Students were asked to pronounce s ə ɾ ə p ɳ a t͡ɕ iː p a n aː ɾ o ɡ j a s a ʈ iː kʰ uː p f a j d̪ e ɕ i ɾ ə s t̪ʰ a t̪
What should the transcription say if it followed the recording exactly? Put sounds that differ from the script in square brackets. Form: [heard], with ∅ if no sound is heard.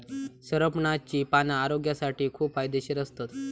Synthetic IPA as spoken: s ə ɾ ə p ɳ a t͡ɕ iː p a n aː ɾ o ɡ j a s a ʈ iː kʰ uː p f a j d̪ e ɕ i ɾ ə s [t̪] a t̪